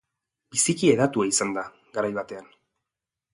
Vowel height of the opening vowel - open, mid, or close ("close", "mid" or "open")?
close